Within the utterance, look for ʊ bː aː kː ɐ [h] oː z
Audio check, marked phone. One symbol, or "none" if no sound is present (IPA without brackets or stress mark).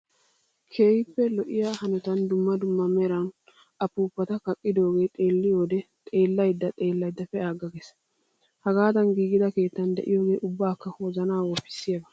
h